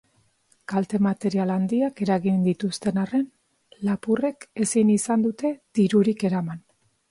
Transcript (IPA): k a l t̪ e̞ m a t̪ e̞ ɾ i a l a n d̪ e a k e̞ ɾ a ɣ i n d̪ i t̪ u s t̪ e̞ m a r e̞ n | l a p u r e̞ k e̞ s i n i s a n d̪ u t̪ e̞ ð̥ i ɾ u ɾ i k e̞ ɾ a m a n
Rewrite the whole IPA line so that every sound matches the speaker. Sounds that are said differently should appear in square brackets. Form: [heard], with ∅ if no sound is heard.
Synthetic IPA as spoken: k a l t̪ e̞ m a t̪ e̞ ɾ i a l a n d̪ [i] a k e̞ ɾ a ɣ i n d̪ i t̪ u s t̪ e̞ [n] a r e̞ n | l a p u r e̞ k e̞ s i n i s a n d̪ u t̪ e̞ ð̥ i ɾ u ɾ i k e̞ ɾ a m a n

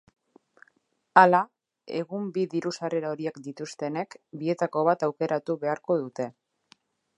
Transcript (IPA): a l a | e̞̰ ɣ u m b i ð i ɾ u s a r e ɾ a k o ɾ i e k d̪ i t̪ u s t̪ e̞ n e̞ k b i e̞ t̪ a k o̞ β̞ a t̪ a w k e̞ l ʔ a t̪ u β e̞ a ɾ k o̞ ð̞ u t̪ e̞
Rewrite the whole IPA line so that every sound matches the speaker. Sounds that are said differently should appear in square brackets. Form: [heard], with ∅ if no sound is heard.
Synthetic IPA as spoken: a l a | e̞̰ ɣ u m b i ð i ɾ u s a r e ɾ a [∅] o ɾ i e k d̪ i t̪ u s t̪ e̞ n e̞ k b i e̞ t̪ a k o̞ β̞ a t̪ a w k e̞ [ɾ] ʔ a t̪ u β e̞ a ɾ k o̞ ð̞ u t̪ e̞

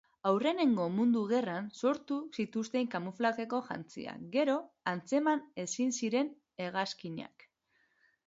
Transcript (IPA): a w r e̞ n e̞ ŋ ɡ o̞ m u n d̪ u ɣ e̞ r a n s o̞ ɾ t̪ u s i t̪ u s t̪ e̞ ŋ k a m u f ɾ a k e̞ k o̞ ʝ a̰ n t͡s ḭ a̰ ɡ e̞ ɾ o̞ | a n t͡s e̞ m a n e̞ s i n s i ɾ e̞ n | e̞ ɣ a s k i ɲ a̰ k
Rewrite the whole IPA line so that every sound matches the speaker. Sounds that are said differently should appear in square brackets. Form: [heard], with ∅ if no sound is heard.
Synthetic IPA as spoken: a w r e̞ n e̞ ŋ ɡ o̞ m u n d̪ u ɣ e̞ r a n s o̞ ɾ t̪ u s i t̪ u s t̪ e̞ ŋ k a m u f [l] a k e̞ k o̞ ʝ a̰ n t͡s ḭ a̰ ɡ e̞ ɾ o̞ | a n t͡s e̞ m a n e̞ s i n s i ɾ e̞ n | e̞ ɣ a s k i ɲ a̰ k

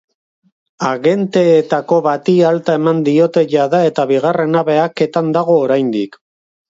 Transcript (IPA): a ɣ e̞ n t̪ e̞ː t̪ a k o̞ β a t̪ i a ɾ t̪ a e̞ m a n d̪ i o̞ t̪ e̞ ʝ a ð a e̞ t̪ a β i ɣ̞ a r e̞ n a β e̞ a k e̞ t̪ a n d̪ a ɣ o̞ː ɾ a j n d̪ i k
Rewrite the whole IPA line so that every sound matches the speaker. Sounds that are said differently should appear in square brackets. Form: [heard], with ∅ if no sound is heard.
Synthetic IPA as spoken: a ɣ e̞ n t̪ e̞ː t̪ a k o̞ β a t̪ i a [l] t̪ a e̞ m a n d̪ i o̞ t̪ e̞ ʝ a ð a e̞ t̪ a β i ɣ̞ a r e̞ n a β e̞ a k e̞ t̪ a n d̪ a ɣ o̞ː ɾ a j n d̪ i k

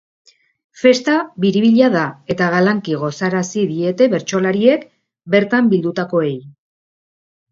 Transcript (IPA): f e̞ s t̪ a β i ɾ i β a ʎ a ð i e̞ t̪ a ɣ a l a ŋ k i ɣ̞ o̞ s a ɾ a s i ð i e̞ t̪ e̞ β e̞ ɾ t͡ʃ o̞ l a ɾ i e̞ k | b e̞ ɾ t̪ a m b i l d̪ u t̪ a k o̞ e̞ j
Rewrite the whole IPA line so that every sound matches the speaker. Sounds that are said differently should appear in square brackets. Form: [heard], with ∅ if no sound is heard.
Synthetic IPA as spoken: f e̞ s t̪ a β i ɾ i β [i] ʎ a ð [a] e̞ t̪ a ɣ a l a ŋ k i ɣ̞ o̞ s a ɾ a s i ð i e̞ t̪ e̞ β e̞ ɾ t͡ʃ o̞ l a ɾ i e̞ k | b e̞ ɾ t̪ a m b i l d̪ u t̪ a k o̞ e̞ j

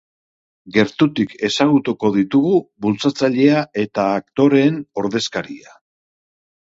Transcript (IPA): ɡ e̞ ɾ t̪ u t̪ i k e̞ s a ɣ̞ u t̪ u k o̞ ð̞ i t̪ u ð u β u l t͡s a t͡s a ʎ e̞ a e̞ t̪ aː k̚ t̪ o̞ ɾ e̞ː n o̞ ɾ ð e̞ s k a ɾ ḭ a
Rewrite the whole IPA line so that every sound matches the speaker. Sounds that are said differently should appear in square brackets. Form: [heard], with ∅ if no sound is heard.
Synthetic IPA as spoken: ɡ e̞ ɾ t̪ u t̪ i k e̞ s a ɣ̞ u t̪ u k o̞ ð̞ i t̪ u [ɣ] u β u l t͡s a t͡s a ʎ e̞ a e̞ t̪ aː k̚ t̪ o̞ ɾ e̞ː n o̞ ɾ ð e̞ s k a ɾ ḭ a

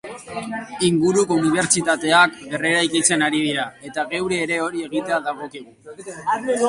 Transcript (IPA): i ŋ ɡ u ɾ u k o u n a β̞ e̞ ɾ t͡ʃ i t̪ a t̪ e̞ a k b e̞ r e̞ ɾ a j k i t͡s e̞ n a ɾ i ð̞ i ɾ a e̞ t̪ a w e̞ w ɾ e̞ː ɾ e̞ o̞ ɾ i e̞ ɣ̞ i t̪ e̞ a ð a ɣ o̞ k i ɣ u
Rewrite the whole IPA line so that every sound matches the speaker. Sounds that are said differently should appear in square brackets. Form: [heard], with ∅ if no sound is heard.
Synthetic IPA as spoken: i ŋ ɡ u ɾ u k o u n [i] β̞ e̞ ɾ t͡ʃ i t̪ a t̪ e̞ a k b e̞ r e̞ ɾ a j k i t͡s e̞ n a ɾ i ð̞ i ɾ a e̞ t̪ a [ɣ] e̞ w ɾ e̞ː ɾ e̞ o̞ ɾ i e̞ ɣ̞ i t̪ e̞ a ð a ɣ o̞ k i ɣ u

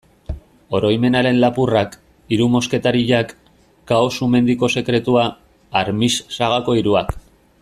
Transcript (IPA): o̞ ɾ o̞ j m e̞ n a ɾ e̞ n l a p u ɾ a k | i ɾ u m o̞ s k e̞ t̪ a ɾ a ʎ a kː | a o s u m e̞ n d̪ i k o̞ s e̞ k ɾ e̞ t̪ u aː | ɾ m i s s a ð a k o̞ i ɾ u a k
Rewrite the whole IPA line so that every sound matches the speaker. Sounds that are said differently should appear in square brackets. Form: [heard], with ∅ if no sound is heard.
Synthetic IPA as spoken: o̞ ɾ o̞ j m e̞ n a ɾ e̞ n l a p u [r] a k | i ɾ u m o̞ s k e̞ t̪ a ɾ [i] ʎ a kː | a o s u m e̞ n d̪ i k o̞ s e̞ k ɾ e̞ t̪ u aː | ɾ m i s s a [ɣ] a k o̞ i ɾ u a k

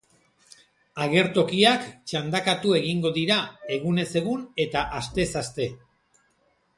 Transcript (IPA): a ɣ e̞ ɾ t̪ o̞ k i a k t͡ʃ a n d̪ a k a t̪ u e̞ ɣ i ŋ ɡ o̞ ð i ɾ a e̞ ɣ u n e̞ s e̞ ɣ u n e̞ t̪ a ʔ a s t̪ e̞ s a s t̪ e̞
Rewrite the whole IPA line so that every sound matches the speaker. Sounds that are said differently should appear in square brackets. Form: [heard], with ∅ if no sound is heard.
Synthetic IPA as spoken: a ɣ e̞ ɾ t̪ o̞ k i a k t͡ʃ a n d̪ a k a t̪ u e̞ ɣ i ŋ ɡ o̞ ð i ɾ a e̞ ɣ u n e̞ s e̞ ɣ u n e̞ t̪ a ʔ a s t̪ e̞ s a s t̪ e̞

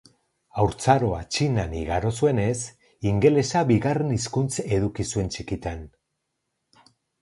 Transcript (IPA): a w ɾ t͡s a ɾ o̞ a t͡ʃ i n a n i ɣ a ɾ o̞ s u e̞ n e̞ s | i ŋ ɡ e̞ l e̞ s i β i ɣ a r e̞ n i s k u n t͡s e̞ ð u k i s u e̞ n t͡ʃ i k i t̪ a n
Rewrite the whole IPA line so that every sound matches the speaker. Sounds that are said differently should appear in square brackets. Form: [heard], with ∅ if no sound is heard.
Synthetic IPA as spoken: a w ɾ t͡s a ɾ o̞ a t͡ʃ i n a n i ɣ a ɾ o̞ s u e̞ n e̞ s | i ŋ ɡ e̞ l e̞ s [a] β i ɣ a r e̞ n i s k u n t͡s e̞ ð u k i s u e̞ n t͡ʃ i k i t̪ a n

